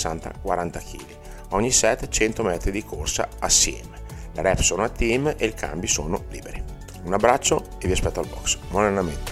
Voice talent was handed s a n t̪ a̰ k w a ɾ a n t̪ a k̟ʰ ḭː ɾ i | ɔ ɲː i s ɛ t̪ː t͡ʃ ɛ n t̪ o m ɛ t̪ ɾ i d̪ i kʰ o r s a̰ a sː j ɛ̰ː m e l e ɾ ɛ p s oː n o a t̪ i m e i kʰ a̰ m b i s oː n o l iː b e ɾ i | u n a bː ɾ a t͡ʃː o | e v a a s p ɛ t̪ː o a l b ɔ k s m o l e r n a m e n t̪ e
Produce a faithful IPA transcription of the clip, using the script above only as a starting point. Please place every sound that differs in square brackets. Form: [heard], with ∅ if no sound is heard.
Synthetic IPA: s a n t̪ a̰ k w a ɾ a n t̪ a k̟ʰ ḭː [l] i | ɔ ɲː i s ɛ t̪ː t͡ʃ ɛ n t̪ o m ɛ t̪ ɾ i d̪ i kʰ o r s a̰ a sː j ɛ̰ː m e l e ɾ ɛ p s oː n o a t̪ i m e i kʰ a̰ m b i s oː n o l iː b e ɾ i | u n a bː ɾ a t͡ʃː o | e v [i] a s p ɛ t̪ː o a l b ɔ k s m o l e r n a m e n t̪ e